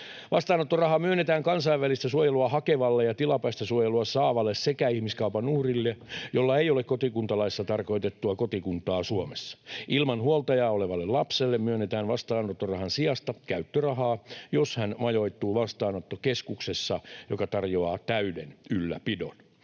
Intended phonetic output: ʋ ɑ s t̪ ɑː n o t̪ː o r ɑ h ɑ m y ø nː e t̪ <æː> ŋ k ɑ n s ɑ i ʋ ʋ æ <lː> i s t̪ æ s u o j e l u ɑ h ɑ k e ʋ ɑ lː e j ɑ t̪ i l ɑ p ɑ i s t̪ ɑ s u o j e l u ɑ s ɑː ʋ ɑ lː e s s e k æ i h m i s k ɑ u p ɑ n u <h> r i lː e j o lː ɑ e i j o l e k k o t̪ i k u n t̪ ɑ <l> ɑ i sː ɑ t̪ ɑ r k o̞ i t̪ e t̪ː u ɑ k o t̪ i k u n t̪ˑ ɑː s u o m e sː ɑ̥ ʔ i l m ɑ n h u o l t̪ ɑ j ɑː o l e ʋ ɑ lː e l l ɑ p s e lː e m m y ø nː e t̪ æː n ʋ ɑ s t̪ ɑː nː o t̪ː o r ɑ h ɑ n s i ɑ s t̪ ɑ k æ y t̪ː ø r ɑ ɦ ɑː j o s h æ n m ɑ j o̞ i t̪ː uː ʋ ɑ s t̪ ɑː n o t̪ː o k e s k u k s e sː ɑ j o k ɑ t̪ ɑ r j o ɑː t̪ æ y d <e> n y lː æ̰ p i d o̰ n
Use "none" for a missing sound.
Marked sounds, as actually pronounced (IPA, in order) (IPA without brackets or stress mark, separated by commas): æː, l, h, l, e